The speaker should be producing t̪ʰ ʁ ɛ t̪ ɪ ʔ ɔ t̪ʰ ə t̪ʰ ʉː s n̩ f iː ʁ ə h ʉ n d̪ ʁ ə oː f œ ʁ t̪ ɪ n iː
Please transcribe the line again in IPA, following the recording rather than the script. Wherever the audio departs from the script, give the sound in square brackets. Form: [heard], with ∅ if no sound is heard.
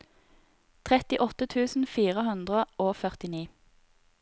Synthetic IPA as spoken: t̪ʰ ʁ ɛ t̪ ɪ ʔ ɔ [t̪] ə t̪ʰ ʉː s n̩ f iː ʁ ə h ʉ n d̪ ʁ ə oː f œ ʁ t̪ ɪ n iː